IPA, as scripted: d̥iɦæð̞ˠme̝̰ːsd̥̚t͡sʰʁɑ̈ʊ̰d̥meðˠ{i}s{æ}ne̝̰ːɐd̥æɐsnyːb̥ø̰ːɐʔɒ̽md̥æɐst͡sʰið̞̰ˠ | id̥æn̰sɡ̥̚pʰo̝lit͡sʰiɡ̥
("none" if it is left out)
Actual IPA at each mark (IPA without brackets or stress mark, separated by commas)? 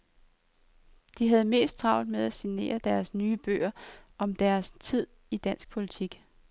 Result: æ, i